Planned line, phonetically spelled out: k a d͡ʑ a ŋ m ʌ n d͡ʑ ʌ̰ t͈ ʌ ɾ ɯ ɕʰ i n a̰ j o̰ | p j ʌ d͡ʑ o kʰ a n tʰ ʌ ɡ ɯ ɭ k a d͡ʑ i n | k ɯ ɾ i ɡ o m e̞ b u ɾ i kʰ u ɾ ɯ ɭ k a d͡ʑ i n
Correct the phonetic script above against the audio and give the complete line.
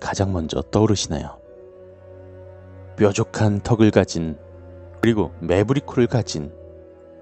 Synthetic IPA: k a d͡ʑ a ŋ m ʌ n d͡ʑ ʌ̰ t͈ ʌ ɾ ɯ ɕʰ i n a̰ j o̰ | p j ʌ d͡ʑ o kʰ a n tʰ ʌ ɡ ɯ ɭ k a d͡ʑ i n | k ɯ ɾ i ɡ o m e̞ b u ɾ i kʰ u ɾ ɯ ɭ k a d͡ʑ i n